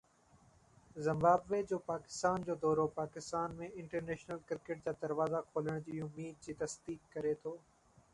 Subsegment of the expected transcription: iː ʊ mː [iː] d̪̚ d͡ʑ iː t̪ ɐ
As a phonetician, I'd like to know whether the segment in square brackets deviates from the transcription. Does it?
no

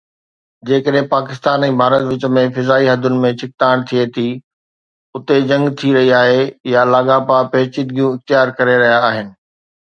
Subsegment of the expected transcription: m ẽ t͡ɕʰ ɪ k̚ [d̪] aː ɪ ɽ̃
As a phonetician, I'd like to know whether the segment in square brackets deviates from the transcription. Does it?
yes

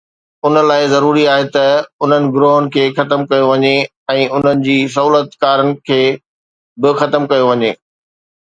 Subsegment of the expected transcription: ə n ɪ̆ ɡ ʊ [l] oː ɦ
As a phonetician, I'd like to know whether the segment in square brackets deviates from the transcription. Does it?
yes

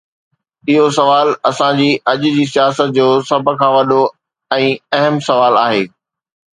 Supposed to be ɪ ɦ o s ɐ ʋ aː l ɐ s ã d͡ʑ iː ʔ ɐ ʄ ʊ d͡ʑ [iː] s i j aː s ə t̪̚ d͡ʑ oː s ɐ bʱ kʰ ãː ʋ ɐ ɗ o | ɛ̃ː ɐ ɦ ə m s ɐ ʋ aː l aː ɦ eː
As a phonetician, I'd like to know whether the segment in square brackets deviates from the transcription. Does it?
no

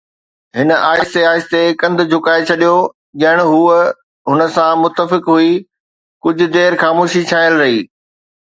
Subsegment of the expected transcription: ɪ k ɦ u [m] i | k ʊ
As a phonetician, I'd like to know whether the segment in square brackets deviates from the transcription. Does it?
yes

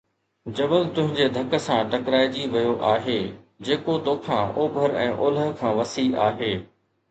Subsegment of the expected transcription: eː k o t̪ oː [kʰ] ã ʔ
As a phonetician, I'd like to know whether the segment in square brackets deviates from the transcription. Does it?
no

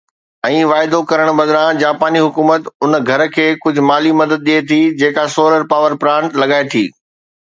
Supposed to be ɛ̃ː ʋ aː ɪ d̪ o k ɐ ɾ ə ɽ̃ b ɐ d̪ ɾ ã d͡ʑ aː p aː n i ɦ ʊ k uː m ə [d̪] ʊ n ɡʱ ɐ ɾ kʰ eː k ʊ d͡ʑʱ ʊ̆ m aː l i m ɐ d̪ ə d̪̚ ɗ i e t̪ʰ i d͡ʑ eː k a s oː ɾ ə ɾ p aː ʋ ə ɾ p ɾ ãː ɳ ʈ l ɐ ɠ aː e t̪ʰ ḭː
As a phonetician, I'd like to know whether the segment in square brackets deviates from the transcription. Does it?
yes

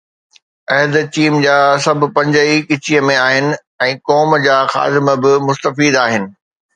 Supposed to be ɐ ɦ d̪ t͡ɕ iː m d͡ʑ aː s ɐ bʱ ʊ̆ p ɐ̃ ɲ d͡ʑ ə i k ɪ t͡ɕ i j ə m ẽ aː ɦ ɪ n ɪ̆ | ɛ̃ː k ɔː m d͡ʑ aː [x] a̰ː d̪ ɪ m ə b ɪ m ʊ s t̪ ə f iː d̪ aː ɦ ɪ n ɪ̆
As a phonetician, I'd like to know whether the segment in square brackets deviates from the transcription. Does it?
no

